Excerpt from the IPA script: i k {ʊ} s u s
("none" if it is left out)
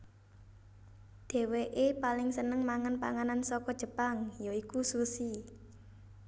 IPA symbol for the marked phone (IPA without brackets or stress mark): u